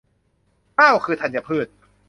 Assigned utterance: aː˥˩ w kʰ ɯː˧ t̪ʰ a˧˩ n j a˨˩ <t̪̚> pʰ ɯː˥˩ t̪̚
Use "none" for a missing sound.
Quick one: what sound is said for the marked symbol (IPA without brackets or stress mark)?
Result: none